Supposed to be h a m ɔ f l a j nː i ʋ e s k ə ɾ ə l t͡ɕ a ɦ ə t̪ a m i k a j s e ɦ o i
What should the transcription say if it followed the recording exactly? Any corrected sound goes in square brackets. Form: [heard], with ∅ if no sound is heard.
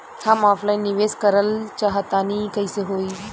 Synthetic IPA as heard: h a m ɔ f l a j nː i ʋ e s k ə ɾ ə l t͡ɕ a ɦ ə t̪ a [n] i k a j s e ɦ o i